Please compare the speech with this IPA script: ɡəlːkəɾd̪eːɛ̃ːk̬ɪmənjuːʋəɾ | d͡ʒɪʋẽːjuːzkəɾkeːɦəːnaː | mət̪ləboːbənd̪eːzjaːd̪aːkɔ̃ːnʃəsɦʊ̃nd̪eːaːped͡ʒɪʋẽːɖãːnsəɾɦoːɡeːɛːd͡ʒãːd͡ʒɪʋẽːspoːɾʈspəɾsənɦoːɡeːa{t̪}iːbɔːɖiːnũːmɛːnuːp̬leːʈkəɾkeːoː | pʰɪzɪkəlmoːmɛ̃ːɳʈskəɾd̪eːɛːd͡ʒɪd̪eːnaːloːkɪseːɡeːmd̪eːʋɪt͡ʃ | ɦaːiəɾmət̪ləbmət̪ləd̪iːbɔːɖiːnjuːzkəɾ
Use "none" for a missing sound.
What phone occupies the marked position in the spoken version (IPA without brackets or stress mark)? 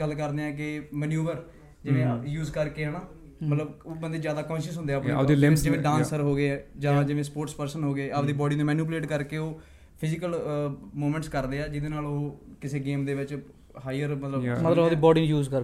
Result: d̪